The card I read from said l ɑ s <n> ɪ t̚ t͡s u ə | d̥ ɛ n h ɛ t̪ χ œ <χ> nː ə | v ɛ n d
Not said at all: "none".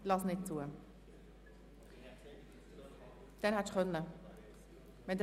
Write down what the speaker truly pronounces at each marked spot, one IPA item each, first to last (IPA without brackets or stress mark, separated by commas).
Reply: n, none